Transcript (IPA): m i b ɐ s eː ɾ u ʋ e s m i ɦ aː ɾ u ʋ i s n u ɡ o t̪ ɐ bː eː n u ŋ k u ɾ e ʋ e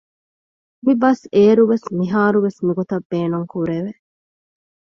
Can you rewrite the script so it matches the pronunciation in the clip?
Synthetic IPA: m i b ɐ s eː ɾ u ʋ e s m i ɦ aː ɾ u ʋ e s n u ɡ o t̪ ɐ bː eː n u ŋ k u ɾ e ʋ e